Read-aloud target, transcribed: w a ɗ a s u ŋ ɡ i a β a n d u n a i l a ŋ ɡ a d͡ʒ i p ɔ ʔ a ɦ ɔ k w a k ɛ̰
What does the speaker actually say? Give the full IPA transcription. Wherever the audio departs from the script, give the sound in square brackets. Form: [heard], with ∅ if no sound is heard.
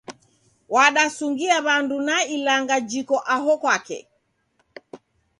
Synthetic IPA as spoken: w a ɗ a s u ŋ ɡ i a β a n d u n a i l a ŋ ɡ a d͡ʒ i [k] ɔ ʔ a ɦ ɔ k w a k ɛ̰